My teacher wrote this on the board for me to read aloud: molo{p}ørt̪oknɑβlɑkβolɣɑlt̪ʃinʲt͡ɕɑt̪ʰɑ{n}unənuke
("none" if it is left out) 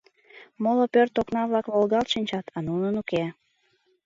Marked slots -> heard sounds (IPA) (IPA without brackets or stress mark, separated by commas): p, n